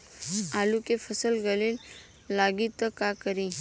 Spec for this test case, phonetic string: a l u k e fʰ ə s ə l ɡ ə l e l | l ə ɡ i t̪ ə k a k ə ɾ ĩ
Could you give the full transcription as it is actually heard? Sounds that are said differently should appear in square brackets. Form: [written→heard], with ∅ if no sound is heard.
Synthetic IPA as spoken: a l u k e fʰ ə s ə l ɡ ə l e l | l [ə→a] ɡ i t̪ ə k a k ə ɾ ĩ